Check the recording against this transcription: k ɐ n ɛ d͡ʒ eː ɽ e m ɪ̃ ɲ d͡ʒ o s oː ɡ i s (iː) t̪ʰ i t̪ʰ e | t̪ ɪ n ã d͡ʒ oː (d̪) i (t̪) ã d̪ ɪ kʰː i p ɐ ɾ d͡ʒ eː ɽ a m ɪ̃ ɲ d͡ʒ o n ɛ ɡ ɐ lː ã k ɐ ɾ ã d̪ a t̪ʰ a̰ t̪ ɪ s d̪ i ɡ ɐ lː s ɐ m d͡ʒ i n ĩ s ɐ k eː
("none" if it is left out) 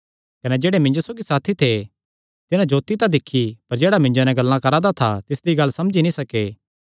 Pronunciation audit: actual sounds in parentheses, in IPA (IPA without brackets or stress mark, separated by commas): aː, t̪, t̪